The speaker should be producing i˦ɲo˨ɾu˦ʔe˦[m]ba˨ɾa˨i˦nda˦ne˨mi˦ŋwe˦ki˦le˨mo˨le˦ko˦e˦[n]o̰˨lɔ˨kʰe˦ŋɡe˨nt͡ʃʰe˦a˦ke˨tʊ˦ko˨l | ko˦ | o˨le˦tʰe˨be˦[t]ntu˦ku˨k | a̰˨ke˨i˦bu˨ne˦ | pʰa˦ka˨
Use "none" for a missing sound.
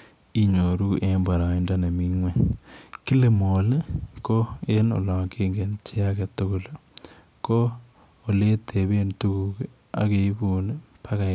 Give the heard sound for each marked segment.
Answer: m, n, none

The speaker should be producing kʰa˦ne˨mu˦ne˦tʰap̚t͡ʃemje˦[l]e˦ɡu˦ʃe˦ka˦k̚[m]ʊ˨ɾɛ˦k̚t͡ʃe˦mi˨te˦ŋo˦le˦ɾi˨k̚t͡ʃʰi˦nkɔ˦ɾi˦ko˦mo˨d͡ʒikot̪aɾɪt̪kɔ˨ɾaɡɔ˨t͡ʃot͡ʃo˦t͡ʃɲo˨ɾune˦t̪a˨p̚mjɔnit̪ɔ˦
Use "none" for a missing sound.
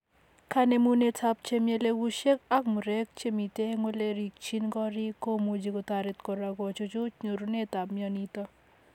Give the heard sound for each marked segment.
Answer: l, m

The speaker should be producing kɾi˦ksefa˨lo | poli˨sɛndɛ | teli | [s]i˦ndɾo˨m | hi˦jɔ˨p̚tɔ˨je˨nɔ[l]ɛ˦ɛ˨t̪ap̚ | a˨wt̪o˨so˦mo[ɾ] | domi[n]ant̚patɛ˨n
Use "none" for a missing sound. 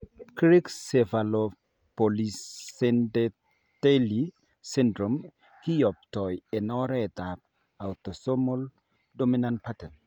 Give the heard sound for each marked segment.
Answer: s, ɾ, l, n

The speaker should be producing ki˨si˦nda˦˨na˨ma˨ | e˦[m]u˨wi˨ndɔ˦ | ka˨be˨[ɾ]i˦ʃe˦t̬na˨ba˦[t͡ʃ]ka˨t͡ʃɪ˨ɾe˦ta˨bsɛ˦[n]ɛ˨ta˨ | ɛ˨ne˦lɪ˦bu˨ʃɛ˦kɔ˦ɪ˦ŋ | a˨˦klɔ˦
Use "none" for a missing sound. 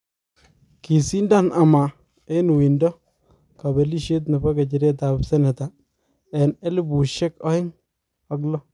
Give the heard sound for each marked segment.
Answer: n, l, none, n

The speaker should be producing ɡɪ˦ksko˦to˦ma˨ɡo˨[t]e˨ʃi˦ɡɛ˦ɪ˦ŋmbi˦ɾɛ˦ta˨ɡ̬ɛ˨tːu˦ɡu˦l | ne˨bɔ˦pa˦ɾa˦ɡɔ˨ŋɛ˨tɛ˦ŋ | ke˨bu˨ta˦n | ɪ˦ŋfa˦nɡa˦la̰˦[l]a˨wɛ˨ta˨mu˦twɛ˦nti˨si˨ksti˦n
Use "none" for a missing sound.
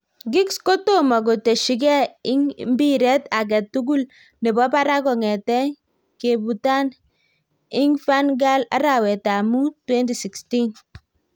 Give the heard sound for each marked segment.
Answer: t, ɾ

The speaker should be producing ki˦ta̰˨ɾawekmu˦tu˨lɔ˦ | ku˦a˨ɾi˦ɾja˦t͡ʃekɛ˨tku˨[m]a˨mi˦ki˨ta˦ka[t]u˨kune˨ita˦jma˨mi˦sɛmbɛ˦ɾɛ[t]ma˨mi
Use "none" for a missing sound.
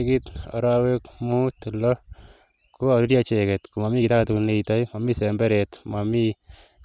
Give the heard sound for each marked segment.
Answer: m, t, t

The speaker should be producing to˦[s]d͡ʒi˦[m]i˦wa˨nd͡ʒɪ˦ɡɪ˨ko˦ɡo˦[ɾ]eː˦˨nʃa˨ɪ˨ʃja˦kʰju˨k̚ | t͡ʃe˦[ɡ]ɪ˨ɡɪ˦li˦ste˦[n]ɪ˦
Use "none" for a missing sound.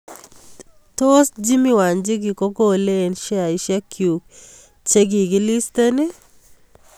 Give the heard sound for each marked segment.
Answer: s, m, l, ɡ, n

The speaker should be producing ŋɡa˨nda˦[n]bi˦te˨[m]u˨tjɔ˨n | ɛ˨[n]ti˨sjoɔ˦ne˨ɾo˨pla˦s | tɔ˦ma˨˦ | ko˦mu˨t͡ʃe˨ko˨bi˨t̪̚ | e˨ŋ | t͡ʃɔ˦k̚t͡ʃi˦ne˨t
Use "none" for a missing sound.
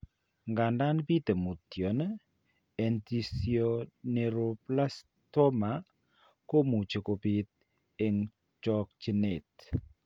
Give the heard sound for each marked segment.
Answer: n, m, n

